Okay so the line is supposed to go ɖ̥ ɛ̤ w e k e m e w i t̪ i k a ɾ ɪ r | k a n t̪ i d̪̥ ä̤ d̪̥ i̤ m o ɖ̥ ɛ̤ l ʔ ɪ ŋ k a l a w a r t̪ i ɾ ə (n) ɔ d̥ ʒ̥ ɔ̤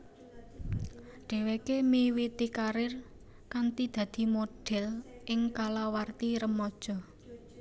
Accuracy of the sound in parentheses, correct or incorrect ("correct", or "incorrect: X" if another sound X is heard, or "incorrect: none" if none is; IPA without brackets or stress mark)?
incorrect: m